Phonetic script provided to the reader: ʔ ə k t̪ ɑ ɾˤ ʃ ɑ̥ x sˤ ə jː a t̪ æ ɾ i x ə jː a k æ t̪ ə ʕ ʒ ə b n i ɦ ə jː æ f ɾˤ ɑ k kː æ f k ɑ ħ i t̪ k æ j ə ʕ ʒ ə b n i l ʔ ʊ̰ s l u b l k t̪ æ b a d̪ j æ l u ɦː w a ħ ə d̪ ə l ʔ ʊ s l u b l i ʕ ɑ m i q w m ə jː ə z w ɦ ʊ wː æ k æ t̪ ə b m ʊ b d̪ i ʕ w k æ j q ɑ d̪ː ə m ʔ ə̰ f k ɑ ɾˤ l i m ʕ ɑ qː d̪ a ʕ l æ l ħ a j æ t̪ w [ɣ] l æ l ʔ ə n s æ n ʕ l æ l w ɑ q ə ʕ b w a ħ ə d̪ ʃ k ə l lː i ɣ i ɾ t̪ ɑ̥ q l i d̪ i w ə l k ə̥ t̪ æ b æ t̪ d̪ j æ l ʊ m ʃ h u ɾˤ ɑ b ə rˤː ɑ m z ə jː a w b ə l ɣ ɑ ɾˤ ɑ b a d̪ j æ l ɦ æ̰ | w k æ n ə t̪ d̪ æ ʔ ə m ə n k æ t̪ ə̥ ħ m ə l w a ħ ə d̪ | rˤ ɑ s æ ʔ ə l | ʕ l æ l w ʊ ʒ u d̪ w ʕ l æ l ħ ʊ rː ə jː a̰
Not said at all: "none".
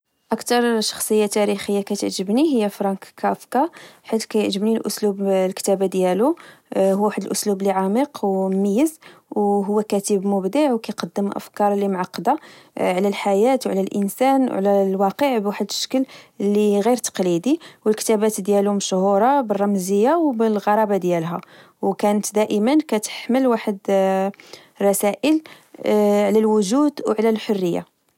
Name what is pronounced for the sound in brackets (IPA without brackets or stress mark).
ʕ